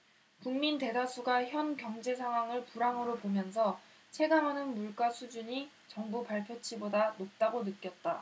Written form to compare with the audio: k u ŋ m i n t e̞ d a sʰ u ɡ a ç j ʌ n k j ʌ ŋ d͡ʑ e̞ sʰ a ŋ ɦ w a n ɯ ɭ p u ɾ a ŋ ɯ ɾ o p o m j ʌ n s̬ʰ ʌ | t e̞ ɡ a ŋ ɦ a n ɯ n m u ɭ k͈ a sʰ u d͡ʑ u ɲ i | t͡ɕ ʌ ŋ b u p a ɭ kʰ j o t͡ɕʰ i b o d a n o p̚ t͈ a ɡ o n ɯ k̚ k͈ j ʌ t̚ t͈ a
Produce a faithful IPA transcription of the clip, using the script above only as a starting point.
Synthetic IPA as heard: k u ŋ m i n t e̞ d a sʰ u ɡ a ç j ʌ n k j ʌ ŋ d͡ʑ e̞ sʰ a ŋ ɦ w a ŋ ɯ ɭ p u ɾ a ŋ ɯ ɾ o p o m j ʌ n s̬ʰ ʌ | t͡ɕʰ e̞ ɡ a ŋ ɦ a n ɯ n m u ɭ k͈ a sʰ u d͡ʑ u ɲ i | t͡ɕ ʌ ŋ b u p a ɭ pʰ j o t͡ɕʰ i b o d a n o p̚ t͈ a ɡ o n ɯ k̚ k͈ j ʌ t̚ t͈ a

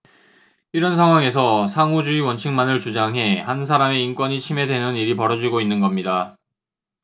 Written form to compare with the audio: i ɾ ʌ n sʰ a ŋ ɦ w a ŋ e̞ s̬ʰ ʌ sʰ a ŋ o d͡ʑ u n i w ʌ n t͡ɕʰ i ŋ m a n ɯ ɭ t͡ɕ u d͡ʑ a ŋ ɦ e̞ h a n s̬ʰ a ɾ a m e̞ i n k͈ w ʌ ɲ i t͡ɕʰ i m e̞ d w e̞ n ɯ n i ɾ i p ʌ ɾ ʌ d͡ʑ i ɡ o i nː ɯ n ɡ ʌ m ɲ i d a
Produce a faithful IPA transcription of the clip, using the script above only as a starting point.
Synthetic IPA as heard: i ɾ ʌ n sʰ a ŋ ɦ w a ŋ e̞ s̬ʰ ʌ sʰ a ŋ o d͡ʑ u i w ʌ n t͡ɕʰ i ŋ m a n ɯ ɭ t͡ɕ u d͡ʑ a ŋ ɦ e̞ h a n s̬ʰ a ɾ a m e̞ i n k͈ w ʌ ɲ i t͡ɕʰ i m e̞ d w e̞ n ɯ n i ɾ i p ʌ ɾ ʌ d͡ʑ i ɡ o i nː ɯ n ɡ ʌ m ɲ i d a

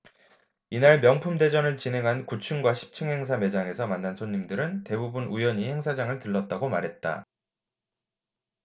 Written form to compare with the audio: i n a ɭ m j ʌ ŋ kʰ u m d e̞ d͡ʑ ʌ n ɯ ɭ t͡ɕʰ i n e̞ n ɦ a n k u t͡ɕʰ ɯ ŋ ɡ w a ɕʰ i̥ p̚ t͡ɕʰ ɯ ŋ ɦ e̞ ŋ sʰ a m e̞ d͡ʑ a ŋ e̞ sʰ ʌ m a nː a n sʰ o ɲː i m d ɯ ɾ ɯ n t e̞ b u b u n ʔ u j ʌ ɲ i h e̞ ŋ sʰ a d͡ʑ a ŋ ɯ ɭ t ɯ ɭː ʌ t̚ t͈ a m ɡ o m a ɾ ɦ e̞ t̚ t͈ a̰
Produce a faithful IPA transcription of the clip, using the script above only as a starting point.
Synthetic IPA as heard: i n a ɭ m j ʌ ŋ pʰ u m d e̞ d͡ʑ ʌ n ɯ ɭ t͡ɕ i n e̞ ŋ ɦ a n k u t͡ɕʰ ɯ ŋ ɡ w a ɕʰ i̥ p̚ t͡ɕʰ ɯ ŋ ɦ e̞ ŋ sʰ a m e̞ d͡ʑ a ŋ e̞ sʰ ʌ m a nː a n sʰ o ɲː i m d ɯ ɾ ɯ n t e̞ b u b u n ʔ u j ʌ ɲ i h e̞ ŋ sʰ a d͡ʑ a ŋ ɯ ɭ t ɯ ɭː ʌ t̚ t͈ a ɡ o m a ɾ ɦ e̞ t̚ t͈ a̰

